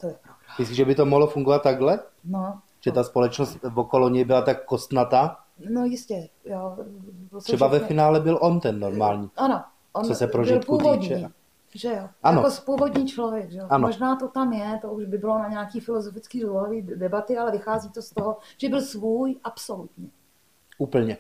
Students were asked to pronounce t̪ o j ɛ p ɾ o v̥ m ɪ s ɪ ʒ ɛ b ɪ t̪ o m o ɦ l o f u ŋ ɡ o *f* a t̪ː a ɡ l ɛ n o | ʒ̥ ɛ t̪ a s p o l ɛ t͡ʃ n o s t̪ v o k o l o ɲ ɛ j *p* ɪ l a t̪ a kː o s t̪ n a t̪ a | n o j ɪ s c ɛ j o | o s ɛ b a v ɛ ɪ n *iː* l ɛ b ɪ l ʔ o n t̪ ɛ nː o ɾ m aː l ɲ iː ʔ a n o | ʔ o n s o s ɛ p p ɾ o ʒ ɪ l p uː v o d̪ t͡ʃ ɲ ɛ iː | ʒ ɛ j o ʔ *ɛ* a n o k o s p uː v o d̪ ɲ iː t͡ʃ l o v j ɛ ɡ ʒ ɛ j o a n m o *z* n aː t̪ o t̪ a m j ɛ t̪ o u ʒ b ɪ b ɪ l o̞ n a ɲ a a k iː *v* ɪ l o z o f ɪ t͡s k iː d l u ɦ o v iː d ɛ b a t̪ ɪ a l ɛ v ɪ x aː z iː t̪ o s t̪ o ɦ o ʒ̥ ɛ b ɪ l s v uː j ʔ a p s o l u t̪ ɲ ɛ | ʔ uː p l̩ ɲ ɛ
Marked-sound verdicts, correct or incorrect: incorrect: v, incorrect: b, incorrect: aː, incorrect: a, incorrect: ʒ, incorrect: f

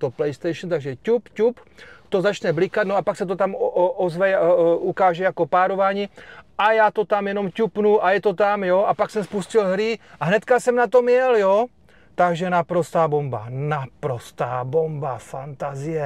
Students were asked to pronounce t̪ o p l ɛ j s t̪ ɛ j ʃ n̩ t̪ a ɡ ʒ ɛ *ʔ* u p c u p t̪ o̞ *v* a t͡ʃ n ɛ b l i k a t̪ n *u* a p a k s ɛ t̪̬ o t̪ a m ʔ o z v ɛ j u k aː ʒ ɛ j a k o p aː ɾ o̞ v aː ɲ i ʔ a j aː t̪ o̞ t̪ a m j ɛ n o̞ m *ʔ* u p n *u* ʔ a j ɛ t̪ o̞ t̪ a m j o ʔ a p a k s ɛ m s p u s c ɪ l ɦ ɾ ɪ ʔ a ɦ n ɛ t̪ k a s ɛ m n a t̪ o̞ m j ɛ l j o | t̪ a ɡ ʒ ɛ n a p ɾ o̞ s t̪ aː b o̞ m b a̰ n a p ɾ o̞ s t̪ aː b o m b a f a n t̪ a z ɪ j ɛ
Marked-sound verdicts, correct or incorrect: incorrect: c, incorrect: z, incorrect: o, incorrect: c, correct

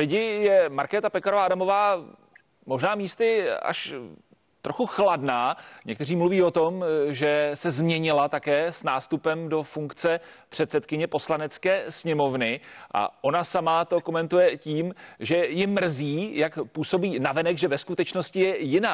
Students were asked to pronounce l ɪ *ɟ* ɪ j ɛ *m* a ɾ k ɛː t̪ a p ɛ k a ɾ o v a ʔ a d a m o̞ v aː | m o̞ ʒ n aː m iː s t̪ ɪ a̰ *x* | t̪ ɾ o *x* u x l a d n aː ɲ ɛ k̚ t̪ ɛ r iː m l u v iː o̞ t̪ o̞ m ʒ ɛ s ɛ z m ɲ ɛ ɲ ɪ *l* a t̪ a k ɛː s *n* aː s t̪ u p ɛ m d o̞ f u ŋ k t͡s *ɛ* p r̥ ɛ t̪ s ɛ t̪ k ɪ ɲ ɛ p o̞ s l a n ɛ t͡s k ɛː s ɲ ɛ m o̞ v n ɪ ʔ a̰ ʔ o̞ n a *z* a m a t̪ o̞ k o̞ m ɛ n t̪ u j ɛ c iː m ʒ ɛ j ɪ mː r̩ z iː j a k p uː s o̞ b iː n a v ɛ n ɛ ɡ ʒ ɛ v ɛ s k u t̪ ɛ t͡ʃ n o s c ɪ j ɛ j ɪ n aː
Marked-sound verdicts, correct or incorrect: correct, correct, incorrect: ʃ, correct, correct, correct, correct, incorrect: s

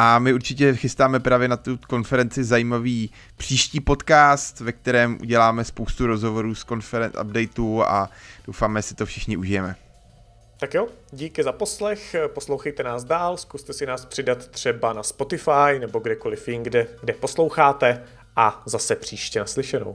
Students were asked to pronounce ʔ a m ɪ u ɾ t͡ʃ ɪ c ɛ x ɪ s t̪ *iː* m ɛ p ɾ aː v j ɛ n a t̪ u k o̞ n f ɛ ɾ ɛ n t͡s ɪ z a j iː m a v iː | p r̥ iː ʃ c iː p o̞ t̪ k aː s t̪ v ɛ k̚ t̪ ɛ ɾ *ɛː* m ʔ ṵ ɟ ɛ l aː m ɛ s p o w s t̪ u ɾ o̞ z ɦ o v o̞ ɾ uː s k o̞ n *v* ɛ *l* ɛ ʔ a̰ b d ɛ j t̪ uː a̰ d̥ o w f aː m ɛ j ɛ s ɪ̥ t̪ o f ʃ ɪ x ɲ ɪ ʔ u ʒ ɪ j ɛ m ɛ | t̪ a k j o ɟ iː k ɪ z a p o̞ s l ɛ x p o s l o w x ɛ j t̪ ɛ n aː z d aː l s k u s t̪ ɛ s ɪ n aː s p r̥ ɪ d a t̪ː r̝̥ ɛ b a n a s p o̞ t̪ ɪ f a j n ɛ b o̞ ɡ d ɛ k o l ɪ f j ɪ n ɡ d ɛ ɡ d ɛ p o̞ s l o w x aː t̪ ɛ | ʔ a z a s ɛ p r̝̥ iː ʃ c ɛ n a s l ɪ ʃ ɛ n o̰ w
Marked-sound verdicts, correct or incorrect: incorrect: aː, correct, incorrect: f, incorrect: ɾ

